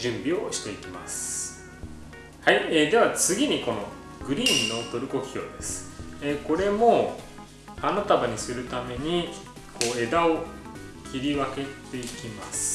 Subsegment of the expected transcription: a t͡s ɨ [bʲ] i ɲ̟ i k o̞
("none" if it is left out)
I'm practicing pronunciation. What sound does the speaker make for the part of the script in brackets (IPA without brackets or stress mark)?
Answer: ɡʲ